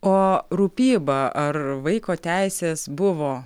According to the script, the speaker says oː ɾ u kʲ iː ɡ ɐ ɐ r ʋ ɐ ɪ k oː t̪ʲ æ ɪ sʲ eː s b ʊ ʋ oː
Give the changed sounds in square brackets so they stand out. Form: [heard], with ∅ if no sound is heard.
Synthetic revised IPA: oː ɾ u [pʲ] iː [b] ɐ ɐ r ʋ ɐ ɪ k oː t̪ʲ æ ɪ sʲ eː s b ʊ ʋ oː